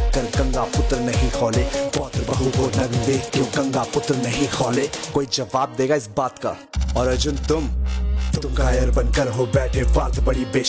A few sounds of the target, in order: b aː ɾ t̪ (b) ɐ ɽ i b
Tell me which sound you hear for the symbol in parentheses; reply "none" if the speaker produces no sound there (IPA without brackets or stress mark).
b